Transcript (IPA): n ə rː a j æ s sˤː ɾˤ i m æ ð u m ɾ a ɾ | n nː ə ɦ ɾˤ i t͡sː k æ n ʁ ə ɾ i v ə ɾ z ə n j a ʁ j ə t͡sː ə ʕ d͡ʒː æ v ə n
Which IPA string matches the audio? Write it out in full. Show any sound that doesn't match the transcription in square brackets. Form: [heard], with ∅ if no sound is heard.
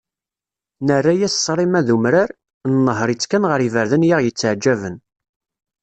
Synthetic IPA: n ə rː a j æ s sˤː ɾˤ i m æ ð u m ɾ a ɾ | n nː ə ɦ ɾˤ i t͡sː k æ n ʁ ə ɾ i v ə ɾ [ð] ə n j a ʁ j ə t͡sː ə ʕ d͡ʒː æ v ə n